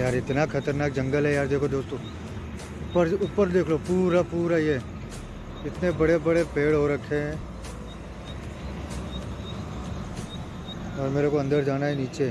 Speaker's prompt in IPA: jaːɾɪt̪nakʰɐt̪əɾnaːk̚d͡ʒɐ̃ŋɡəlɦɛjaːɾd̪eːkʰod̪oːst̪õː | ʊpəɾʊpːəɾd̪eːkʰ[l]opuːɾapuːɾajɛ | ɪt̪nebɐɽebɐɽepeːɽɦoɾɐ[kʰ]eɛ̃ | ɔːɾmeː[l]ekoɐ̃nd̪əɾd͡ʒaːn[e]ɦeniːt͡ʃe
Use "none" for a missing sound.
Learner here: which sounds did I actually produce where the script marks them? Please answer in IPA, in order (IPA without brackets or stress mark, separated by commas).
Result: l, kʰ, ɾ, a